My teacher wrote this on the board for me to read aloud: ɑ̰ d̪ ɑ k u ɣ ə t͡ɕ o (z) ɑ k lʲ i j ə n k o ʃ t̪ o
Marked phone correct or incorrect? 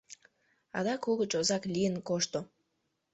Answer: correct